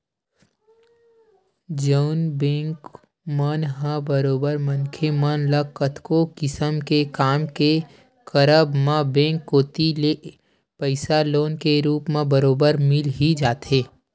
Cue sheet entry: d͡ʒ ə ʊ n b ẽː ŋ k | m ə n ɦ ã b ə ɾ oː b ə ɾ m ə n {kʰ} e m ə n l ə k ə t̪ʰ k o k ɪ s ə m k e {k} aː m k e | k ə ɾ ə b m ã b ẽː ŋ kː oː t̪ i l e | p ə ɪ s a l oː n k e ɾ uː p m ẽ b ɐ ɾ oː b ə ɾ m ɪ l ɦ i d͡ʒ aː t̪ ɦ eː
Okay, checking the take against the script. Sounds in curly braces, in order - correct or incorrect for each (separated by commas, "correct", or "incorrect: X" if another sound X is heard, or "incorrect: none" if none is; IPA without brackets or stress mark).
correct, correct